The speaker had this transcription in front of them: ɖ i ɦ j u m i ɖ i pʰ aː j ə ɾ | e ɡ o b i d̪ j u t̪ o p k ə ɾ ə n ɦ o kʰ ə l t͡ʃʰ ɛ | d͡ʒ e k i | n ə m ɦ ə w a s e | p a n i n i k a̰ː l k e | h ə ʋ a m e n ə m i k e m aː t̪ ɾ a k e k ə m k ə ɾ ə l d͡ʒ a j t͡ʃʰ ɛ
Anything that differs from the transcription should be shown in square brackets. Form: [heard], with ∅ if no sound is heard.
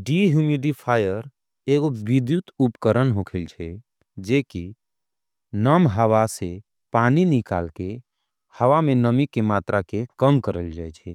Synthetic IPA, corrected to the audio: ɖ i ɦ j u m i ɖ i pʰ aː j ə ɾ | e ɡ o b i d̪ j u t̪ [u] p k ə ɾ ə n ɦ o kʰ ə l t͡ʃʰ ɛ | d͡ʒ e k i | n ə m ɦ ə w a s e | p a n i n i k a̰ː l k e | h ə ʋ a m e n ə m i k e m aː t̪ ɾ a k e k ə m k ə ɾ ə l d͡ʒ a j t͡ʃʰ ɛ